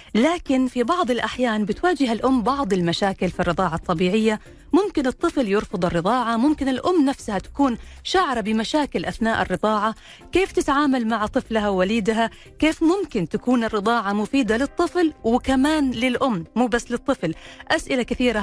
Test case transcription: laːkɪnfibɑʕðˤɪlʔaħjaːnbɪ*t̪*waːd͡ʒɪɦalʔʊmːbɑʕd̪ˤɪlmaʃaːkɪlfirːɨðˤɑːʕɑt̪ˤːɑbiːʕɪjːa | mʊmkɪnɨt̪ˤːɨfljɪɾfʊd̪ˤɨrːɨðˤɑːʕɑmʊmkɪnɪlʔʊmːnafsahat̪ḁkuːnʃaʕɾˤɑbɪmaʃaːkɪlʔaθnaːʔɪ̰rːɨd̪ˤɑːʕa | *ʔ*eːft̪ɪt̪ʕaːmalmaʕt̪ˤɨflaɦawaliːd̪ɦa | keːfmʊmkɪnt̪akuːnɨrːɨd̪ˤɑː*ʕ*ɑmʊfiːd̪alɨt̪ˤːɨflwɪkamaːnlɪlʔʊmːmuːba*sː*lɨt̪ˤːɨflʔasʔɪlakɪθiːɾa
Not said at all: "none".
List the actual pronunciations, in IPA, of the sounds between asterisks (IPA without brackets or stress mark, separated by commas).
t̪, k, ʕ, sː